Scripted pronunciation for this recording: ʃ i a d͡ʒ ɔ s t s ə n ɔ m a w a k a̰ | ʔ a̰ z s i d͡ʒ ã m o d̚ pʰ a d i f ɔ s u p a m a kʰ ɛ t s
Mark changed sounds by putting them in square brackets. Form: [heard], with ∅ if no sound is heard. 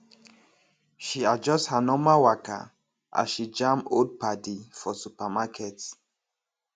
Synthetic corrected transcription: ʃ i a d͡ʒ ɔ s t [h] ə n ɔ m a w a k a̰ | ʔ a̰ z [ʃ] i d͡ʒ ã m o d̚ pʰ a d i f ɔ s u p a m a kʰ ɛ t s